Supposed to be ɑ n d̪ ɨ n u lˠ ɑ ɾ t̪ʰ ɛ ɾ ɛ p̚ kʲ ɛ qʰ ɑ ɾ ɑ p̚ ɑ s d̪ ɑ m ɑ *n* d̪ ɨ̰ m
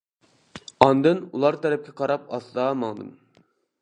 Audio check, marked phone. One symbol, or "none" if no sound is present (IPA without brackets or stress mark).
ŋ